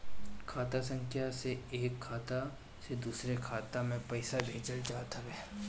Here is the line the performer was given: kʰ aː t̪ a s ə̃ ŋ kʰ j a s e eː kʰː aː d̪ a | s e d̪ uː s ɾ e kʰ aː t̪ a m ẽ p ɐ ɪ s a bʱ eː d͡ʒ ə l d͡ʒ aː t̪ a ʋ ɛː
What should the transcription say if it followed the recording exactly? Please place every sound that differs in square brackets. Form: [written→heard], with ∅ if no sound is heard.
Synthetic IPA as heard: kʰ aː t̪ a s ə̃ ŋ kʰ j a s e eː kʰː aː [d̪→t̪] a | s e d̪ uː s ɾ e kʰ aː t̪ a m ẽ p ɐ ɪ s a bʱ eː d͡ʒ ə l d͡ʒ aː t̪ a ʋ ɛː